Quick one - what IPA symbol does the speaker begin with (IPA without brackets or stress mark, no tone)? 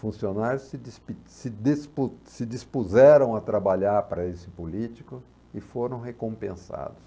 f